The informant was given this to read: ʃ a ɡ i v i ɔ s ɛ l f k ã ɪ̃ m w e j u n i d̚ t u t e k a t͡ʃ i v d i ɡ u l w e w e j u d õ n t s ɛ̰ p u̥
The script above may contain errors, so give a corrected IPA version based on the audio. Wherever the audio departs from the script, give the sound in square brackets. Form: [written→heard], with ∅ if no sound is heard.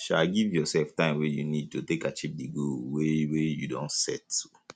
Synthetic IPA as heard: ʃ a ɡ i v [i→j] ɔ s ɛ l f [k→t] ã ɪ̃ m w e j u n i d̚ t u t e k a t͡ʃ i v d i ɡ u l w e w e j u d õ n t s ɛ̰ [p→t] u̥